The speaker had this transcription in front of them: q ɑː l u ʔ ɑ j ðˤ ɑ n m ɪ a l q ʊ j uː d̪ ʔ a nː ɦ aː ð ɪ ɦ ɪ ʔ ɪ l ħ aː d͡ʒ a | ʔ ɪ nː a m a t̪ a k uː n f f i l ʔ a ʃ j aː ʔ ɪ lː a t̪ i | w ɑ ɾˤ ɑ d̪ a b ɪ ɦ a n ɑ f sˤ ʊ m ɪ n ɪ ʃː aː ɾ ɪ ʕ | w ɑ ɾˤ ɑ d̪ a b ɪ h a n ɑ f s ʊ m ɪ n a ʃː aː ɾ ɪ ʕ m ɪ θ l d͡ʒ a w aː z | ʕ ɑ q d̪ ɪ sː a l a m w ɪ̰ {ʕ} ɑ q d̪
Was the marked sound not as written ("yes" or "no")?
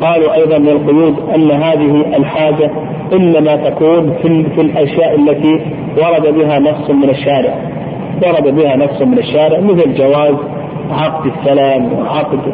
no